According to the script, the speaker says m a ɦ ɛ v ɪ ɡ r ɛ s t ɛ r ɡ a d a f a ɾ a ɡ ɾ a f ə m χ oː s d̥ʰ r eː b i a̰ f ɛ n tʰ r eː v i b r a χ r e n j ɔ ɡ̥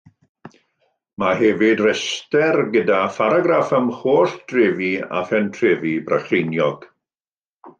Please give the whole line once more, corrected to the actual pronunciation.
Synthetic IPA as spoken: m a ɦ ɛ v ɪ d r ɛ s t ɛ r ɡ ə d a f a ɾ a ɡ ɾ a f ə m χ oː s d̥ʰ r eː v i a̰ f ɛ n tʰ r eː v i b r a χ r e n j ɔ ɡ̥